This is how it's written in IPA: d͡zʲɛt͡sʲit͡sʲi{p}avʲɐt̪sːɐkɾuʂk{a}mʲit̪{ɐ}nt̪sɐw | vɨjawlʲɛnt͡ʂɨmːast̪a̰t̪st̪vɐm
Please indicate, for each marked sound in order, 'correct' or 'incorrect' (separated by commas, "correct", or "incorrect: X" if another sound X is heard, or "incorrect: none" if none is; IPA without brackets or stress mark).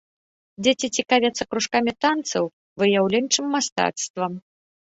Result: incorrect: k, correct, incorrect: a